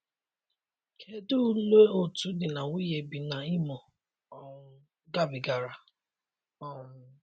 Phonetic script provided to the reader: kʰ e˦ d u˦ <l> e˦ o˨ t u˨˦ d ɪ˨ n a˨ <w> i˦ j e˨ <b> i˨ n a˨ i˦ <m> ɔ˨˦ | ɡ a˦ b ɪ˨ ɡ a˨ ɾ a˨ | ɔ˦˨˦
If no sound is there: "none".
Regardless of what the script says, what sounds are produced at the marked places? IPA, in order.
l, w, b, m

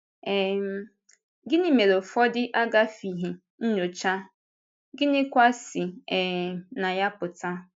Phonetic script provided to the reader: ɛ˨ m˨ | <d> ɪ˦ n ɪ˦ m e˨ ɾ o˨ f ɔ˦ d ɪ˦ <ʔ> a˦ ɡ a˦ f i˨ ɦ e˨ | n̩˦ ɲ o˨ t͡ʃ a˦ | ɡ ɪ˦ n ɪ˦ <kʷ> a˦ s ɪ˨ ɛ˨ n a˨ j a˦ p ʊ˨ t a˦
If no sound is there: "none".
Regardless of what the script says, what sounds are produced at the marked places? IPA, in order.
ɡ, ʔ, kʷ

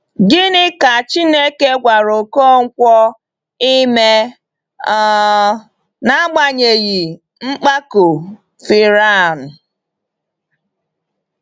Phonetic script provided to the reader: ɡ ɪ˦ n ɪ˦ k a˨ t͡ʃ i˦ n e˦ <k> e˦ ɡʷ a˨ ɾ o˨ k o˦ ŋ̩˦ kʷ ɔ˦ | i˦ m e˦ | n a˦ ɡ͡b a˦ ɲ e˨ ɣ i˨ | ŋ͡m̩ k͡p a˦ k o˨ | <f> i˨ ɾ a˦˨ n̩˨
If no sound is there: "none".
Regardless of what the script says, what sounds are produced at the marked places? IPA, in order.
k, f

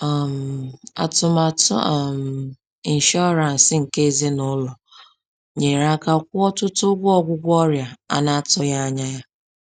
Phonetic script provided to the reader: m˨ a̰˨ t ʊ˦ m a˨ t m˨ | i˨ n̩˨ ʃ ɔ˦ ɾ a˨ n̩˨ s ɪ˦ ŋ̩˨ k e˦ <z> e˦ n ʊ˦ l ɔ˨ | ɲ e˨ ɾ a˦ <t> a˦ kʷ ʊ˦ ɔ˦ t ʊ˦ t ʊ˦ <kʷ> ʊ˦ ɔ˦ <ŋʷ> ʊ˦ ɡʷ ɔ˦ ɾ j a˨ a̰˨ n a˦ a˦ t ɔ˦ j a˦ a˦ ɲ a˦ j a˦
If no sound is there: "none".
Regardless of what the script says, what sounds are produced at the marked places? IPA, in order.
z, k, ɡʷ, ɡʷ

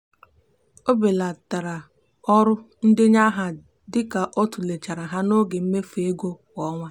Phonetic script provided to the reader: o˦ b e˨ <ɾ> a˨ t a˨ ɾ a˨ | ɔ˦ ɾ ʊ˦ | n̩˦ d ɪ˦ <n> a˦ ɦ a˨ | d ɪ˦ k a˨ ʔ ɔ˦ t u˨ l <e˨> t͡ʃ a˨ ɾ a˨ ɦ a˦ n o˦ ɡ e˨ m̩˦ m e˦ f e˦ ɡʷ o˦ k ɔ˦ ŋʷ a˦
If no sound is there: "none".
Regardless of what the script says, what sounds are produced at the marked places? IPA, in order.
l, ɲ, e˨

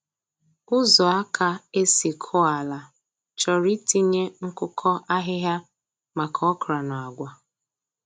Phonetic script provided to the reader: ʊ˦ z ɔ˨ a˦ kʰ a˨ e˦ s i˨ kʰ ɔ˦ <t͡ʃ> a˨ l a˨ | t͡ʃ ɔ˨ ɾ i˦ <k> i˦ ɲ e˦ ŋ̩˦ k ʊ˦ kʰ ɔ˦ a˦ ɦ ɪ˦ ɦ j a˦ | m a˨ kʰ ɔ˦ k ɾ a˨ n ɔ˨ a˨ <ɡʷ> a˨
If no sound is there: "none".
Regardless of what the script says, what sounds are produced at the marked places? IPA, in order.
none, t, ɡʷ

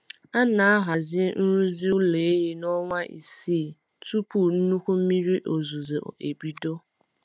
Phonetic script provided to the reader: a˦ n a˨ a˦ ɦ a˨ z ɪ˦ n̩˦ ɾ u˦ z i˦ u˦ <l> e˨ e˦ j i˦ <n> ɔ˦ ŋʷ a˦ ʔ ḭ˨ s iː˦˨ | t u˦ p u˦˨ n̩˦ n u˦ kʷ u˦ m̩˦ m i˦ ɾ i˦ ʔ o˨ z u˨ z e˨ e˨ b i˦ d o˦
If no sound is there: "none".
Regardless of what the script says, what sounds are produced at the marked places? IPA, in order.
l, n

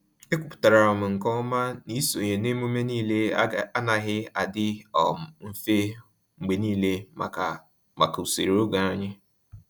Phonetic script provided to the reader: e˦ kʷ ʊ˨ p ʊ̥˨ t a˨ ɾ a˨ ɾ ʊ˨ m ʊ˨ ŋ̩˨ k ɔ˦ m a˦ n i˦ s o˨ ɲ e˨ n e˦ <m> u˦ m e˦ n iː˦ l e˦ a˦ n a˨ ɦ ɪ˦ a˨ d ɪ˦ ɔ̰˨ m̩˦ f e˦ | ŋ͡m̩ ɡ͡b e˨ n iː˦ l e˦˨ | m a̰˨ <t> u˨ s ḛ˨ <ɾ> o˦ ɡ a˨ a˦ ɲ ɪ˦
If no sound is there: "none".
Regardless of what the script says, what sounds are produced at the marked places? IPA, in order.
m, k, ɾ

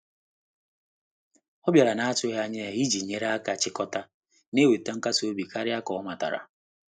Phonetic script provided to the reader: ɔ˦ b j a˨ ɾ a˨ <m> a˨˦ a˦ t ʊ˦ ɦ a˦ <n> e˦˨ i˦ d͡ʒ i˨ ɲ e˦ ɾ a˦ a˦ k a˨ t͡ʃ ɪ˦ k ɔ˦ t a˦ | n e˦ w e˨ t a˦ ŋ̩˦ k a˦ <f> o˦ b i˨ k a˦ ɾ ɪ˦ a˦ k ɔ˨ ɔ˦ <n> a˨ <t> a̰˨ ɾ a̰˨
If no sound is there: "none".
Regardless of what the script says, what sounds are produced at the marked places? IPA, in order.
n, ɲ, s, m, t

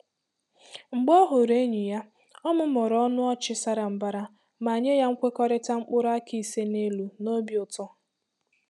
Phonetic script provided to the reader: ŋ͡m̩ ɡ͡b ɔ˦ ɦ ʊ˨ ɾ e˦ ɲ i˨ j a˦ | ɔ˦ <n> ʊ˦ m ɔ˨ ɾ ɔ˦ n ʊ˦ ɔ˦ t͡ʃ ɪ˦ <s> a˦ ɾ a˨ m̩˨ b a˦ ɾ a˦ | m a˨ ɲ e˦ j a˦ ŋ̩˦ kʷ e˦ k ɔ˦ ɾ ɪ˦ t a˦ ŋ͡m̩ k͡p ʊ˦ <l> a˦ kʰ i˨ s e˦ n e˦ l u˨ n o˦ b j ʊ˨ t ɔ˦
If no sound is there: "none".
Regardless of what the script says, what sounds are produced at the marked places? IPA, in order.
m, s, ɾ

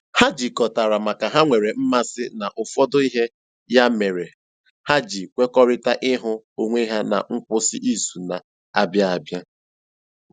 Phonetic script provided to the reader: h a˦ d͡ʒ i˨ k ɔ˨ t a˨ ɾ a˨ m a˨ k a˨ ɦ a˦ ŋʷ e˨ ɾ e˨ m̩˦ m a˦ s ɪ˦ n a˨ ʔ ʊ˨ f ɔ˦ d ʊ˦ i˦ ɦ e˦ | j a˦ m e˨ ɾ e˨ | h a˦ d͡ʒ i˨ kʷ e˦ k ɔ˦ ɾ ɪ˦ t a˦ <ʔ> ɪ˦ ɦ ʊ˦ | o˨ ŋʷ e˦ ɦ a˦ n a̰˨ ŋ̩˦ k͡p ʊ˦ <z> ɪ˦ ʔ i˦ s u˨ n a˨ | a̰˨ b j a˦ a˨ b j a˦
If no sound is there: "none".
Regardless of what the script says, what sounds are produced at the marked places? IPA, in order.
ʔ, s

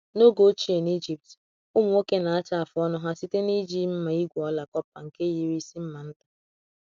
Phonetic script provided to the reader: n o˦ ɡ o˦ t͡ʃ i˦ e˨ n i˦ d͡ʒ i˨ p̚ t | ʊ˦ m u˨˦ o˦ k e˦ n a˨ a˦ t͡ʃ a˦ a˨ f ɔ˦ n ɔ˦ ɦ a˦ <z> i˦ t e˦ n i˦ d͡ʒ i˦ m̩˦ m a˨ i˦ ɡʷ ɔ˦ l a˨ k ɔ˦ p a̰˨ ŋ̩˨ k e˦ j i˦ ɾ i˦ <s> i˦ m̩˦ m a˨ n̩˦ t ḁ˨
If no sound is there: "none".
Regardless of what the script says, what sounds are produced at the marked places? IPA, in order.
s, s

